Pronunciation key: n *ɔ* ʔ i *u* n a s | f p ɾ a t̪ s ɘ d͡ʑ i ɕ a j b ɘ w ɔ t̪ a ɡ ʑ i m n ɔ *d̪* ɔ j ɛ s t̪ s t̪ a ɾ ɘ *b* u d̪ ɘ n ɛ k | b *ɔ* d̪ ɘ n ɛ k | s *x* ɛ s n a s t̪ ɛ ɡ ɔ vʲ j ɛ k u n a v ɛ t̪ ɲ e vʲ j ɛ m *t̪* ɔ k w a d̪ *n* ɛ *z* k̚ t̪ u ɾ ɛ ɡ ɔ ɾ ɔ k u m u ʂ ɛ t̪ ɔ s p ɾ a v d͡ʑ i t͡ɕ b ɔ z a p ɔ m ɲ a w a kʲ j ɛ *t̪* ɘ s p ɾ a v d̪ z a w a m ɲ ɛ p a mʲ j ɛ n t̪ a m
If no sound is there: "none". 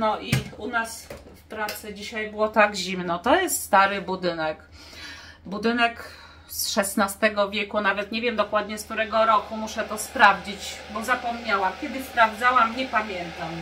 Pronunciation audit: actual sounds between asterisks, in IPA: ɔ, u, t̪, b, u, ʂ, d̪, ɲ, s, d̪

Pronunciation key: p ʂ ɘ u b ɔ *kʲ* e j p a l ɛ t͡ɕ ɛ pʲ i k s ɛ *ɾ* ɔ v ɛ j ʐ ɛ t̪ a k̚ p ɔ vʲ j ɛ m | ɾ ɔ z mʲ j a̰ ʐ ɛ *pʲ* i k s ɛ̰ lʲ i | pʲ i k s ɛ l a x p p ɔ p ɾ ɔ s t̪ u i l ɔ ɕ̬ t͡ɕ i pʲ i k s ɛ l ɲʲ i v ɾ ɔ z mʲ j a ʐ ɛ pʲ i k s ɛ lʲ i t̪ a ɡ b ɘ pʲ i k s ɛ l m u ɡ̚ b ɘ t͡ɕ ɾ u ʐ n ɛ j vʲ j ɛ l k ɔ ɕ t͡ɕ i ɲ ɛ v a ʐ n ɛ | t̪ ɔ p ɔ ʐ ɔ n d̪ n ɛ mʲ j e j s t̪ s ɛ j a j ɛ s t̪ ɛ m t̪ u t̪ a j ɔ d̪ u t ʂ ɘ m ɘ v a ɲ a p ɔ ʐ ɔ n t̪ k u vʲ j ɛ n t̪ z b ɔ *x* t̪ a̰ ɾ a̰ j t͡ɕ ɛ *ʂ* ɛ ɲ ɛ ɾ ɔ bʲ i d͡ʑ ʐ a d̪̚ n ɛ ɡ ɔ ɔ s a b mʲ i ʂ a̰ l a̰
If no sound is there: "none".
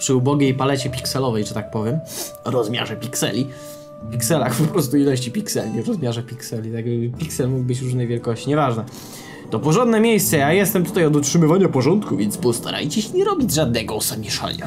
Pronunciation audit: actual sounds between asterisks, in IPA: ɡʲ, l, pʲ, s, ɕ

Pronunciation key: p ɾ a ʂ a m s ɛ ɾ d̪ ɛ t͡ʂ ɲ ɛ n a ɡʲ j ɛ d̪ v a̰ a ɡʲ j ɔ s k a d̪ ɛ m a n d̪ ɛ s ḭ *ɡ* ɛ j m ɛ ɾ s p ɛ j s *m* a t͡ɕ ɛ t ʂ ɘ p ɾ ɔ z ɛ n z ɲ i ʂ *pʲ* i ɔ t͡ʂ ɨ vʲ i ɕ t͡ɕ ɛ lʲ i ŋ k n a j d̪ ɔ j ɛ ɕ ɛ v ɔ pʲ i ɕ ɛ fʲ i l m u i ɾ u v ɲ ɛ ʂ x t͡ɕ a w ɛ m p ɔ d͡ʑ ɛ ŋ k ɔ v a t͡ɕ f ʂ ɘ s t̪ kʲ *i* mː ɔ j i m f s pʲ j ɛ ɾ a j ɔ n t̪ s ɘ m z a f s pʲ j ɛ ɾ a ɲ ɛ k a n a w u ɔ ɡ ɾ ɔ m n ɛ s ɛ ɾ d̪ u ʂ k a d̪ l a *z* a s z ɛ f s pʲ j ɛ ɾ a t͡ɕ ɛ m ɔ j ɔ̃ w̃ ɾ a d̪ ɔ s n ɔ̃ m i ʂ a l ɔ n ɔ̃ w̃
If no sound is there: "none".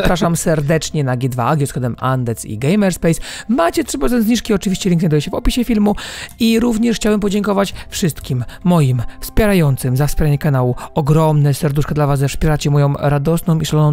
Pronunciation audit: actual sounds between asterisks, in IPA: ɡ, m, kʲ, i, v

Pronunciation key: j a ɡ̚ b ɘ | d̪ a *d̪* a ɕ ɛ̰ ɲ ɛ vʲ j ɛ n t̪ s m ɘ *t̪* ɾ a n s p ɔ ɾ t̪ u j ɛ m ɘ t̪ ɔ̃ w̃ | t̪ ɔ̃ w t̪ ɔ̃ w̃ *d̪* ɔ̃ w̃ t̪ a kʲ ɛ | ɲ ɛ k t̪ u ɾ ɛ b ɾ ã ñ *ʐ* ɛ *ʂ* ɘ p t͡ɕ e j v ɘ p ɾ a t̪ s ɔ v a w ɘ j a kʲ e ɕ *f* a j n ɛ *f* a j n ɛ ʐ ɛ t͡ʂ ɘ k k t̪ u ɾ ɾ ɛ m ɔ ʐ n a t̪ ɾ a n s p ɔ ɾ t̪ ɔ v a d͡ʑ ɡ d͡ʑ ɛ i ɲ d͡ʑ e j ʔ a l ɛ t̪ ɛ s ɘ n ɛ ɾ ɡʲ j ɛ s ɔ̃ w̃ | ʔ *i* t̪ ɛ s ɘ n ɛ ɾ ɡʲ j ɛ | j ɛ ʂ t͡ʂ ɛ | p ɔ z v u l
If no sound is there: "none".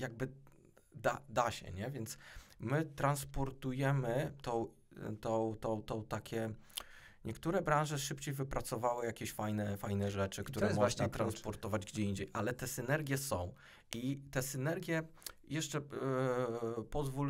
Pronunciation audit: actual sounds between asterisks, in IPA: d̪, t̪, t̪, ʐ, ʂ, f, f, i

